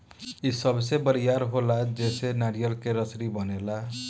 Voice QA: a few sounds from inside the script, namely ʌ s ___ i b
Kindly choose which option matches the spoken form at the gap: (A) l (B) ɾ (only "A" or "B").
B